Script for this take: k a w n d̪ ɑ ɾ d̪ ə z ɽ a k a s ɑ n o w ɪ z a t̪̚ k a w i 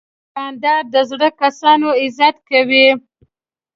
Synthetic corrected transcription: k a n d̪ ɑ ɾ d̪ ə z ɽ ə k a s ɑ n o ɪ z a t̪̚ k a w i